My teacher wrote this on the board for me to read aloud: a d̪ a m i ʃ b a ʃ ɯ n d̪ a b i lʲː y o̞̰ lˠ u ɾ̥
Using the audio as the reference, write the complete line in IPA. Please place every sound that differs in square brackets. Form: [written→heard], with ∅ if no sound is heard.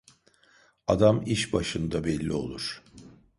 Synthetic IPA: a d̪ a m i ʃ b a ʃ ɯ n d̪ a b [i→ɛ] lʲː [y→i] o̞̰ lˠ u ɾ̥